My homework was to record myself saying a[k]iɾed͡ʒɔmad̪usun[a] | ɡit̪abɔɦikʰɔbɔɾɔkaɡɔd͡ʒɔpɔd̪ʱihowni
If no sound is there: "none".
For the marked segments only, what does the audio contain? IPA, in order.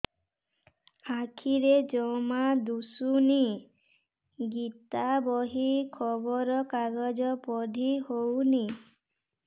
kʰ, i

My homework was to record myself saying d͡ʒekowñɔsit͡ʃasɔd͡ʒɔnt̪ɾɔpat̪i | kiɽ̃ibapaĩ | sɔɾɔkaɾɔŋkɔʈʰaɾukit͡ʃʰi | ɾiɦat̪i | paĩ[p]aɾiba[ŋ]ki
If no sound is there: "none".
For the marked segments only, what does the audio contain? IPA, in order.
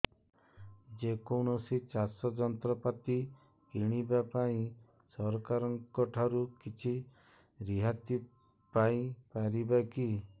p, none

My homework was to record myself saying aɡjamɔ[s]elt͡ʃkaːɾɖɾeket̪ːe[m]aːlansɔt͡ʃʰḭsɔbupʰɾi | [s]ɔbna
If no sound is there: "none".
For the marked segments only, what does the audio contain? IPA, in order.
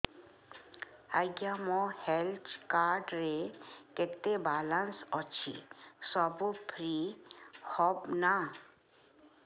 h, b, h

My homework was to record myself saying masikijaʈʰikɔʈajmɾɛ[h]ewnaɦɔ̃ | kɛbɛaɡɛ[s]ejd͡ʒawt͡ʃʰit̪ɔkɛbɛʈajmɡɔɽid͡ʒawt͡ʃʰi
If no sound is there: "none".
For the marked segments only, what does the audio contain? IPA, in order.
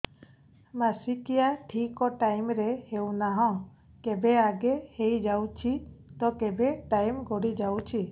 h, h

